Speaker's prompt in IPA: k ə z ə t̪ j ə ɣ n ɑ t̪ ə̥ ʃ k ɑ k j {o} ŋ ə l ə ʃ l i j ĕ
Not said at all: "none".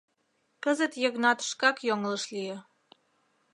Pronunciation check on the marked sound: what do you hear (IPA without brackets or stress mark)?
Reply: o